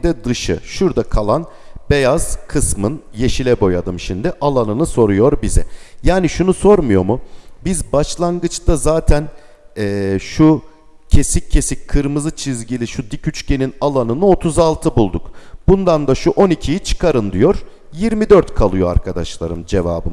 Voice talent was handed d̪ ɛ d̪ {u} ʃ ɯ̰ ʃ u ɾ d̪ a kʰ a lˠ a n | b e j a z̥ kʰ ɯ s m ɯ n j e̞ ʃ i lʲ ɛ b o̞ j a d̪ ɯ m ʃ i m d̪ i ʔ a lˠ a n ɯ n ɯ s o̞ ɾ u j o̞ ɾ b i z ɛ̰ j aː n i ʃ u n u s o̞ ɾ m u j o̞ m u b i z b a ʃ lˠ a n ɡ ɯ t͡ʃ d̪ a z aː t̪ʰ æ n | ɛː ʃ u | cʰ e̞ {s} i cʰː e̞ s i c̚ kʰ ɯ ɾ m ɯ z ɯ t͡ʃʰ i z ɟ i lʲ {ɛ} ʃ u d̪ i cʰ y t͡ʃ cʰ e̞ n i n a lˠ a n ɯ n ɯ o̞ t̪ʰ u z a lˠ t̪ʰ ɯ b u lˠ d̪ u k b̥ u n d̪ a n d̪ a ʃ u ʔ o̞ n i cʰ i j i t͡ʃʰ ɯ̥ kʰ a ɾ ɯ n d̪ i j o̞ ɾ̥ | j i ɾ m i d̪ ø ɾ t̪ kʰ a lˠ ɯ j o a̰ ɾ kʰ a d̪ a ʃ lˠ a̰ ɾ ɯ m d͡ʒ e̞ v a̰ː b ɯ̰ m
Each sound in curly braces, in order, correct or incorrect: incorrect, correct, incorrect

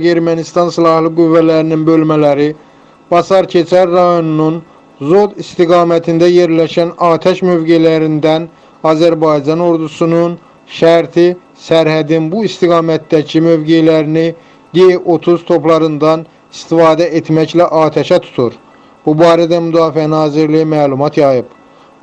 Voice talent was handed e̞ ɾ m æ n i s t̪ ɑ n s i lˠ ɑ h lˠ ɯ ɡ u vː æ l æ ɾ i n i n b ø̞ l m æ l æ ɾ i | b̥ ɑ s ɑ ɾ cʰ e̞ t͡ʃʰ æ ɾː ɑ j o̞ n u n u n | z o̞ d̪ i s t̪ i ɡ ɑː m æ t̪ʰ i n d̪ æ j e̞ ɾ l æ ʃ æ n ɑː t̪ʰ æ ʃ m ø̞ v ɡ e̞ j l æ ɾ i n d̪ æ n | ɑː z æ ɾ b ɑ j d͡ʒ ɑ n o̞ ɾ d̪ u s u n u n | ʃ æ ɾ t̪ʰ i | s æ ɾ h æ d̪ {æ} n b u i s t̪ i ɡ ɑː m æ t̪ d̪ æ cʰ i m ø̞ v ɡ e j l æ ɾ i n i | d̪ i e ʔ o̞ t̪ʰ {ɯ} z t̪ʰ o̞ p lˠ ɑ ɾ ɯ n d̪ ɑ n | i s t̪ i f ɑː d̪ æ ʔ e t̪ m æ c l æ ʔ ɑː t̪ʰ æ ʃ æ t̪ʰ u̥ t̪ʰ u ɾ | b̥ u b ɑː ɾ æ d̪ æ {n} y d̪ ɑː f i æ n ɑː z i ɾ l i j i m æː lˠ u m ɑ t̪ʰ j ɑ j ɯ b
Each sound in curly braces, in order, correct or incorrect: incorrect, incorrect, incorrect

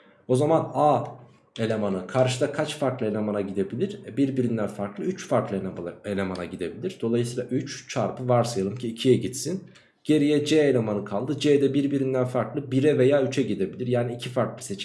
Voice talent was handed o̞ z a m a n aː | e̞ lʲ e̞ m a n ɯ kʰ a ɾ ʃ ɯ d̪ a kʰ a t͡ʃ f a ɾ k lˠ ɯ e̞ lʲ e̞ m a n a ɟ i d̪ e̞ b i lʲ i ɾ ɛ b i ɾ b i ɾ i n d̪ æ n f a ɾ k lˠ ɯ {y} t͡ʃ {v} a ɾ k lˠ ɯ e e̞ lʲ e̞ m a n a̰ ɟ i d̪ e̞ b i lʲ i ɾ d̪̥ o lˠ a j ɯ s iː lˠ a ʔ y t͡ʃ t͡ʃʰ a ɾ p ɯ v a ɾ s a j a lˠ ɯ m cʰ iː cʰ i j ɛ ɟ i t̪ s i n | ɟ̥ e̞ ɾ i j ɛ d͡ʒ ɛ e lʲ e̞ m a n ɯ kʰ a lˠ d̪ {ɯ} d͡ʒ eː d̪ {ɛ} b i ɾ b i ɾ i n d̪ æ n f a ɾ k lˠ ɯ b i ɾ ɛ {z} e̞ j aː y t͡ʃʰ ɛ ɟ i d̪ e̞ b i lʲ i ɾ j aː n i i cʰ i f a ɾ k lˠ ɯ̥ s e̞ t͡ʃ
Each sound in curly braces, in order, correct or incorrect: correct, incorrect, correct, correct, incorrect

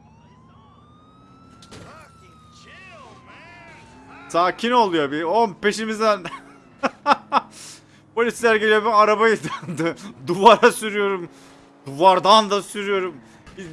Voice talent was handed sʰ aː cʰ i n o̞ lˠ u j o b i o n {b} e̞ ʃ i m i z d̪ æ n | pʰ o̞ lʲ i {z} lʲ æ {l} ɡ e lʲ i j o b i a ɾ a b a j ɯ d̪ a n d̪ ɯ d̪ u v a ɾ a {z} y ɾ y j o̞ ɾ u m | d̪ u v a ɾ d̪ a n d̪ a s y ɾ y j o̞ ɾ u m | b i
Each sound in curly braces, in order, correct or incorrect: incorrect, incorrect, incorrect, incorrect

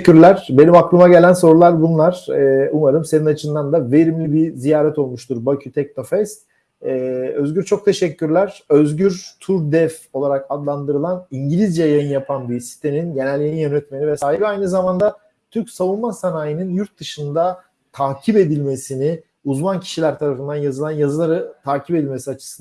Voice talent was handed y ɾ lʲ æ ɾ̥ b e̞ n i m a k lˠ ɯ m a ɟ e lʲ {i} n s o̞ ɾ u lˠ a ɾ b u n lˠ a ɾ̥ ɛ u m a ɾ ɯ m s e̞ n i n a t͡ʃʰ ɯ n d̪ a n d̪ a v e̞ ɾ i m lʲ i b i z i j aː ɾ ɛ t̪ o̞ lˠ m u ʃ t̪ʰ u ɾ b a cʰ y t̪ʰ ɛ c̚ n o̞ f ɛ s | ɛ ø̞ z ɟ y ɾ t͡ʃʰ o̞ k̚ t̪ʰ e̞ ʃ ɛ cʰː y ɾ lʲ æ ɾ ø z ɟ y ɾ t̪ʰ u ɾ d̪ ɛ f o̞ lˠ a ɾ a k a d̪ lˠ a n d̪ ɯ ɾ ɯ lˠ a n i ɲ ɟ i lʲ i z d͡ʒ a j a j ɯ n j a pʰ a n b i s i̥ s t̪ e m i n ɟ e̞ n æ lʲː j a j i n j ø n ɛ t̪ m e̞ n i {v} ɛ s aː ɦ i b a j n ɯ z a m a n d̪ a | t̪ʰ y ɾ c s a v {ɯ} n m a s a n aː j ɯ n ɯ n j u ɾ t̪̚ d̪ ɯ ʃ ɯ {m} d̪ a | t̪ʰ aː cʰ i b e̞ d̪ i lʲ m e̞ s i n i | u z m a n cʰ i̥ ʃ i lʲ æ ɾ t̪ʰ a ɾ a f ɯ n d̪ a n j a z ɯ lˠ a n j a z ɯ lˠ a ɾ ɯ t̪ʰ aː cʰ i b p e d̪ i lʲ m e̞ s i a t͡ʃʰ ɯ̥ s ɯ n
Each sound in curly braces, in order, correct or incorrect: incorrect, correct, incorrect, incorrect

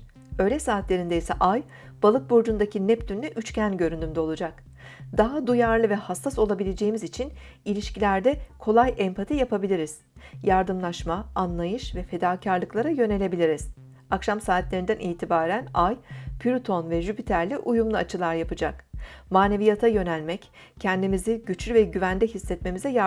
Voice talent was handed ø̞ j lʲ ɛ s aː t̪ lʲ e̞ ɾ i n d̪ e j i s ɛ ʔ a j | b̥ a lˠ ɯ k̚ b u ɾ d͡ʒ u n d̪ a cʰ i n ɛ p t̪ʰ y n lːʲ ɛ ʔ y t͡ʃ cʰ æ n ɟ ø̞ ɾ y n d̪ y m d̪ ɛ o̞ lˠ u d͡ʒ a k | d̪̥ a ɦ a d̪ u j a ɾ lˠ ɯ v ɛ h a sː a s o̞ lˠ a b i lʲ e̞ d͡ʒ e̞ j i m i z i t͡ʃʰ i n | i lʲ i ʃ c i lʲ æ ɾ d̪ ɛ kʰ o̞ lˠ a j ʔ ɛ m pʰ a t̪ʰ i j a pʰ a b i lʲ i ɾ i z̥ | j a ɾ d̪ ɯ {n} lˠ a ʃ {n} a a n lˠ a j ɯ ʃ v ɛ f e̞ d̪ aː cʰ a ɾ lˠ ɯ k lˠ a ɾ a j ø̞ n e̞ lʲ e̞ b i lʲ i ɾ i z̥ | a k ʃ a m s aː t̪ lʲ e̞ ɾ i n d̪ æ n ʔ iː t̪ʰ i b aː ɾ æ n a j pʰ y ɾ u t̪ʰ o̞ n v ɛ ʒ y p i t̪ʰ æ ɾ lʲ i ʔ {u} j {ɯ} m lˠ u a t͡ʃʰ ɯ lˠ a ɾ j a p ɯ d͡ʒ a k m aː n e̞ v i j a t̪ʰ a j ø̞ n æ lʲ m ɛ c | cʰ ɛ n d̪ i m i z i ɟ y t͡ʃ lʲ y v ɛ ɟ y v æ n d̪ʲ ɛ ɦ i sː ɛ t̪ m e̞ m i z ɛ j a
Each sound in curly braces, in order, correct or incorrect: incorrect, incorrect, correct, incorrect

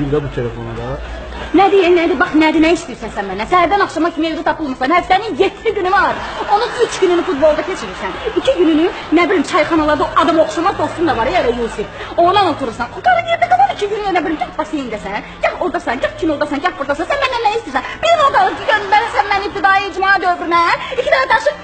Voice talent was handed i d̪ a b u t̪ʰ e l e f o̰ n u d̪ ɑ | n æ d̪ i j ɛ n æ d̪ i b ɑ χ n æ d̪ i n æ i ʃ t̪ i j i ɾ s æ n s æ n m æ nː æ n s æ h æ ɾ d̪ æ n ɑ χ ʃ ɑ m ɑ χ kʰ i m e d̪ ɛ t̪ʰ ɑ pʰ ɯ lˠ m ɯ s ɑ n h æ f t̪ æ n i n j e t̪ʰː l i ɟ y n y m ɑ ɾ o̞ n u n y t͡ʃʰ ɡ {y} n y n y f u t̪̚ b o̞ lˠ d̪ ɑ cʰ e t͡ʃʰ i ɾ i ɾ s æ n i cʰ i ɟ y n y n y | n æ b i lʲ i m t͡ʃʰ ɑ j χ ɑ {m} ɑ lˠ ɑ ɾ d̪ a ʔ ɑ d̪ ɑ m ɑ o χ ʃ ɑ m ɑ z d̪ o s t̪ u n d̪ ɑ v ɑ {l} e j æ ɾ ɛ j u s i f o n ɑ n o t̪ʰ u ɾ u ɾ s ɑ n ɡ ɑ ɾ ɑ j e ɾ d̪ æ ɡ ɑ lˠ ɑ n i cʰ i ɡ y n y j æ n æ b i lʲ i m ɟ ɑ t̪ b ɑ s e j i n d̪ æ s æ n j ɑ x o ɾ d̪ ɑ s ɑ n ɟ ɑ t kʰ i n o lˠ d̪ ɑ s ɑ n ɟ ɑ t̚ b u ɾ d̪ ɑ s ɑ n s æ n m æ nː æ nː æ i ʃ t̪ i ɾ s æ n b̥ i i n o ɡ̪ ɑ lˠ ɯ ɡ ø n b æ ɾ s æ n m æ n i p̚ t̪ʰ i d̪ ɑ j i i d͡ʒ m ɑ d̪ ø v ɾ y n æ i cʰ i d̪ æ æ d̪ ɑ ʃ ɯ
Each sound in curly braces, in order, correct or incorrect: correct, incorrect, incorrect

